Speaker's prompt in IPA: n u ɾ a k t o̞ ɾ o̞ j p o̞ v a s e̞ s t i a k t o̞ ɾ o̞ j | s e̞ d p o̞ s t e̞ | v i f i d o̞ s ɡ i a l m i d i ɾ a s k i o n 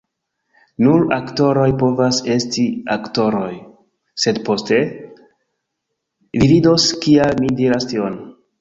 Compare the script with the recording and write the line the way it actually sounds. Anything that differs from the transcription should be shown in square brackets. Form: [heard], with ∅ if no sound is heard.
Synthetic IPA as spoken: n u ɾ a k t o̞ ɾ o̞ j p o̞ v a s e̞ s t i a k t o̞ ɾ o̞ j | s e̞ d p o̞ s t e̞ | v i [v] i d o̞ s [k] i a l m i d i ɾ a s [t] i o n